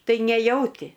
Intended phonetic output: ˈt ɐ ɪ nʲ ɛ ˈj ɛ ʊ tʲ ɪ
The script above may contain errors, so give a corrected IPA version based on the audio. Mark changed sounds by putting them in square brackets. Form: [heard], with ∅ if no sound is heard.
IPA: ˈt ɐ ɪ nʲ ɛ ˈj ɛ ʊ tʲ ɪ